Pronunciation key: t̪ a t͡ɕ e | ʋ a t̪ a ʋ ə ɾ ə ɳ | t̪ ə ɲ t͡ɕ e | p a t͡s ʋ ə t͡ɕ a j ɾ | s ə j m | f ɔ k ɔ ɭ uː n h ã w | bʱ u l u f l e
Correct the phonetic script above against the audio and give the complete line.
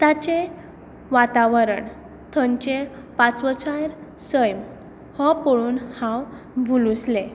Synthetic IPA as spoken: t̪ a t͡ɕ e | ʋ a t̪ a ʋ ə ɾ ə ɳ | t̪ʰ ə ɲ t͡ɕ e | p a t͡s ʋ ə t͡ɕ a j ɾ | s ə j m | h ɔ p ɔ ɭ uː n h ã w | bʱ u l u s l e